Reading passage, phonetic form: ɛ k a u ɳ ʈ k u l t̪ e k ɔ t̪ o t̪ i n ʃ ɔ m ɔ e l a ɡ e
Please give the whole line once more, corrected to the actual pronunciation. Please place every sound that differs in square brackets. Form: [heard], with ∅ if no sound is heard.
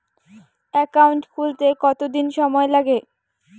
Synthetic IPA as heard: ɛ k a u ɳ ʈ k u l t̪ e k ɔ t̪ o [d̪] i n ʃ ɔ m ɔ e l a ɡ e